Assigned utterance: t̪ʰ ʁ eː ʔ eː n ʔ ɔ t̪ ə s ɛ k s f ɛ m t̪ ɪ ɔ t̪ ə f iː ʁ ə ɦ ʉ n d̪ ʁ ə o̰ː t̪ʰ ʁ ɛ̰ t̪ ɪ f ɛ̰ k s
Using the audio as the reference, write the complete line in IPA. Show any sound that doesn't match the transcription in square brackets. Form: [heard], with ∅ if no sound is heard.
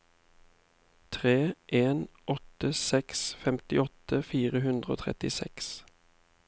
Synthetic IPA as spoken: t̪ʰ ʁ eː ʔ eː n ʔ ɔ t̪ ə s ɛ k s f ɛ m t̪ ɪ ɔ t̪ ə f iː ʁ ə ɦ ʉ n d̪ ʁ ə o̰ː t̪ʰ ʁ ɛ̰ t̪ ɪ [s] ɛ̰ k s